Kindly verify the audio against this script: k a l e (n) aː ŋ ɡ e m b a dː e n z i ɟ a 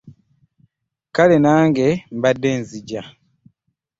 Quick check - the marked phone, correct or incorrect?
correct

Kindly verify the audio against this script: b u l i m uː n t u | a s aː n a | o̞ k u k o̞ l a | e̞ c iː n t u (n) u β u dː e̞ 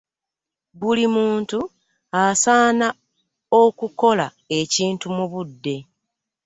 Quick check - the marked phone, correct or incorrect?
incorrect: m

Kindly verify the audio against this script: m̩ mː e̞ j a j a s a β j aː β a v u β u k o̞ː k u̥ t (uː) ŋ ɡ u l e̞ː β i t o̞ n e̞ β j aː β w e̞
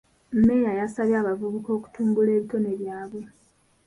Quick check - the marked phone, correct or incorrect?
correct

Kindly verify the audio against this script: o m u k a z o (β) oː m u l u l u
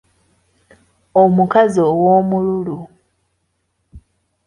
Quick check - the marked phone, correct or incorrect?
incorrect: w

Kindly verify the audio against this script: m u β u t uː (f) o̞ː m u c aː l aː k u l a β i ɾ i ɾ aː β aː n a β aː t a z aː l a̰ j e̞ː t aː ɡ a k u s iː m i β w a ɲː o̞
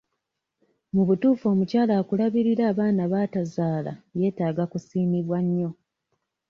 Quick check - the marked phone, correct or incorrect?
correct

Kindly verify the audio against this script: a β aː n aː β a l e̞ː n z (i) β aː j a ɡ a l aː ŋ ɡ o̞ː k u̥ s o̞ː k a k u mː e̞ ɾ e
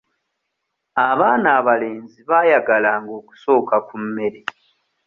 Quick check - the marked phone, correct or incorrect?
correct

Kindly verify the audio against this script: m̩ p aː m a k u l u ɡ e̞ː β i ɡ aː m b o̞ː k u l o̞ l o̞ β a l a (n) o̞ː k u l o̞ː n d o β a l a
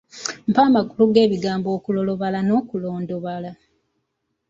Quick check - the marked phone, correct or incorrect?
correct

